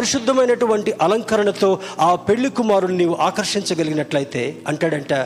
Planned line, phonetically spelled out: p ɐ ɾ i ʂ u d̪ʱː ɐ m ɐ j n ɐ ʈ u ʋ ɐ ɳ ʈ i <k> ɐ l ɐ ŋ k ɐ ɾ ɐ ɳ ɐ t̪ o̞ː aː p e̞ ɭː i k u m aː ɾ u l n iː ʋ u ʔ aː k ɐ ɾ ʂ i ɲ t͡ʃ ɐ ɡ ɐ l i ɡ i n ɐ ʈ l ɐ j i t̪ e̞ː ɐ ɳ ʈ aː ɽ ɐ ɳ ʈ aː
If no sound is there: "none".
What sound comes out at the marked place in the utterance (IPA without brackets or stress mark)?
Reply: ʔ